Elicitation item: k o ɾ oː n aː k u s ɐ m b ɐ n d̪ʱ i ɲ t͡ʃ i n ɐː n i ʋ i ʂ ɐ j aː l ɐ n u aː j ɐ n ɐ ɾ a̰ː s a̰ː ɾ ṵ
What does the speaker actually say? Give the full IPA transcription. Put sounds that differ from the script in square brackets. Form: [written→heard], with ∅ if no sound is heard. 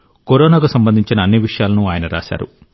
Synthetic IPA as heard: k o ɾ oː n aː k u s ɐ m b ɐ n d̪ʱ i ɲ t͡ʃ i n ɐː [n→nː] i ʋ i ʂ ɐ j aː l ɐ n u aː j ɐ n ɐ ɾ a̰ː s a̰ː ɾ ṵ